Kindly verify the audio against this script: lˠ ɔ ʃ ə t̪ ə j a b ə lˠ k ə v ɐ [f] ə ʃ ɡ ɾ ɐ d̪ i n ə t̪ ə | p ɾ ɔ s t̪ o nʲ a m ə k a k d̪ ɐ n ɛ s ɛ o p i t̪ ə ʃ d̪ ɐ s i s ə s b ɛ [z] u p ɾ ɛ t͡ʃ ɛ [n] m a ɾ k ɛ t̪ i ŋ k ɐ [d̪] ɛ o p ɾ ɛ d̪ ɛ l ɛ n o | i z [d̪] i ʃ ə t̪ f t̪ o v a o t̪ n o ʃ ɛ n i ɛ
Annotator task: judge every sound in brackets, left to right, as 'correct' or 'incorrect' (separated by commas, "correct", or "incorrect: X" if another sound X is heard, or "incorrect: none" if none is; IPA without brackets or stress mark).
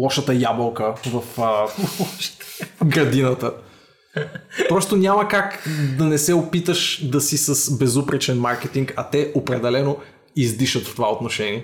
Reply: correct, correct, correct, incorrect: t̪, correct